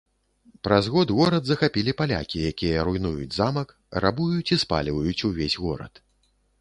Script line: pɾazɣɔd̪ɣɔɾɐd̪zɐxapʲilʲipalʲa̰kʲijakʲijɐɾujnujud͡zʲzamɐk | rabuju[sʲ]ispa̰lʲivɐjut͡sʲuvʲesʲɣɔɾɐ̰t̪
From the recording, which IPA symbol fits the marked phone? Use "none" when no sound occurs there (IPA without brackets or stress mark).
t͡sʲ